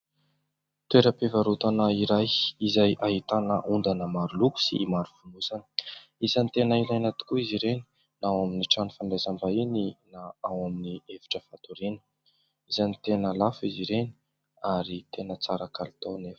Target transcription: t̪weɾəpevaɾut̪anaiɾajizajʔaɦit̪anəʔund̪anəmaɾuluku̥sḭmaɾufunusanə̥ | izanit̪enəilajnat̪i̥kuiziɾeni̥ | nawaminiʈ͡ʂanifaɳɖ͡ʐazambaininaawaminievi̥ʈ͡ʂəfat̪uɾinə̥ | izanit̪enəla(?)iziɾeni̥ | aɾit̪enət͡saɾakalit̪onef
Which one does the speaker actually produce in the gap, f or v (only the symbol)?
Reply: f